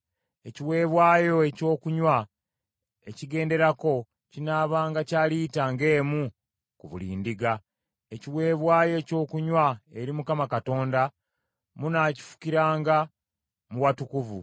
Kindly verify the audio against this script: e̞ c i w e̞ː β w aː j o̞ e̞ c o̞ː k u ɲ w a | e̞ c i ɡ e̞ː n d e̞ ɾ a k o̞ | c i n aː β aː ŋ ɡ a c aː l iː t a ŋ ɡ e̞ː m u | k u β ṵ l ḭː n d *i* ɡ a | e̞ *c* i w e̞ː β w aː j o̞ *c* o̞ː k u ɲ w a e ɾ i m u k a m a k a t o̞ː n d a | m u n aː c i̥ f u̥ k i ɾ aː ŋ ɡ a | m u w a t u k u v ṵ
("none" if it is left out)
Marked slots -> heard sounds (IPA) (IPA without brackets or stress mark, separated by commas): i, c, c